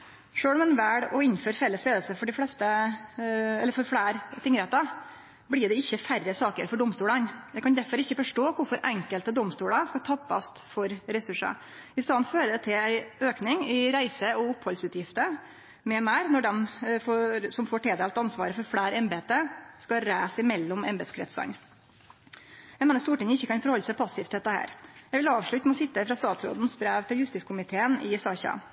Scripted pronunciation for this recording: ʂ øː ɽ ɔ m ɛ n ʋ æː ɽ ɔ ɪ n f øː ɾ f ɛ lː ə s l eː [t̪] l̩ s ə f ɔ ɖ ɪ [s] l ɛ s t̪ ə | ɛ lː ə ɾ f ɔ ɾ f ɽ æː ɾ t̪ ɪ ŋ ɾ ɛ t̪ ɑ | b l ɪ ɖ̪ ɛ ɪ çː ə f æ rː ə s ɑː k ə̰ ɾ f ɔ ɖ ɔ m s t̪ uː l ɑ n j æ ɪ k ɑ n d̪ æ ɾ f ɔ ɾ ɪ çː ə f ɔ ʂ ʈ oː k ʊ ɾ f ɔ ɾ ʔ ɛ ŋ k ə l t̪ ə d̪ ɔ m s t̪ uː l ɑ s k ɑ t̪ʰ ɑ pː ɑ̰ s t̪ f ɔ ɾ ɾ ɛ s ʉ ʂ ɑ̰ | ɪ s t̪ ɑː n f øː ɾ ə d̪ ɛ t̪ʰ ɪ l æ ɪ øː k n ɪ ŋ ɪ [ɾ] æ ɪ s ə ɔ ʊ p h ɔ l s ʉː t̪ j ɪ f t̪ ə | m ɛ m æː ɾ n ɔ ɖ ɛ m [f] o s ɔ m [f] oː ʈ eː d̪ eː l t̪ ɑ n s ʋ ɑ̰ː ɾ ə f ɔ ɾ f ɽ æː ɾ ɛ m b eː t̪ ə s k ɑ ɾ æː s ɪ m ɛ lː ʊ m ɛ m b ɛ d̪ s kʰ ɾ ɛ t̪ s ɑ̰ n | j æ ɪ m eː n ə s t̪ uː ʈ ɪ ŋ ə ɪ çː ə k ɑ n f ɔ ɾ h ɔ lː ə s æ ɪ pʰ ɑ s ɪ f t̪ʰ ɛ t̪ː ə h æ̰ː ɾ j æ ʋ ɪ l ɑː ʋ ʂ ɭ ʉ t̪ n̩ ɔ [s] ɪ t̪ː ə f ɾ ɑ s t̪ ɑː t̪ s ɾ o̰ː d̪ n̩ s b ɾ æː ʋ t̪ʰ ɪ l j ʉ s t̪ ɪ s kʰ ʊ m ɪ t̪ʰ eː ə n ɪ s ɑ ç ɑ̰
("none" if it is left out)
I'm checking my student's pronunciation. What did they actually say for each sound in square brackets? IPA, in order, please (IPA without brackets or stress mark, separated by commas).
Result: d̪, f, ɾ, f, f, s